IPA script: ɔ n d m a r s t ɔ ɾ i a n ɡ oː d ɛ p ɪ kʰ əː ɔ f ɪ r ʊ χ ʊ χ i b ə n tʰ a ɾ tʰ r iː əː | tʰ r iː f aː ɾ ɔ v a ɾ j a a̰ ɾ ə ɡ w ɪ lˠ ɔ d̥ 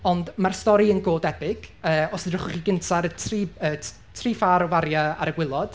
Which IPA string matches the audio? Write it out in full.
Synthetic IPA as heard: ɔ n d m a r s t ɔ ɾ i ə n ɡ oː d ɛ p ɪ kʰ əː ɔ s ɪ r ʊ χ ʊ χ i ɡ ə n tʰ a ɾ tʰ r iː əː | tʰ r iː f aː ɾ ɔ v a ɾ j a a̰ ɾ ə ɡ w ɪ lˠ ɔ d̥